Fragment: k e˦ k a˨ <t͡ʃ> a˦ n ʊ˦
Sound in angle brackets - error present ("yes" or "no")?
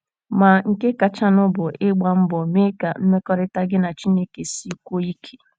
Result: no